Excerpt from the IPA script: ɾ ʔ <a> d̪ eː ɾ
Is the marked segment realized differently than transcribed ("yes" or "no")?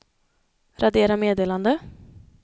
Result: no